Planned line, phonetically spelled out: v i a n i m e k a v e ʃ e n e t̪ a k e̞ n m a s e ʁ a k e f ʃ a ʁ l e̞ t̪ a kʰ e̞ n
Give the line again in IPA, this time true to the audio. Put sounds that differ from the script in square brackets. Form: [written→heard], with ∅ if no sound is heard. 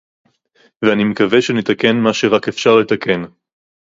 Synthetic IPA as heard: v [i→e] a n i m e k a v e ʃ e n e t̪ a k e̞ n m a [s→ʃ] e ʁ a k e f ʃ a ʁ l e̞ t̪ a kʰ e̞ n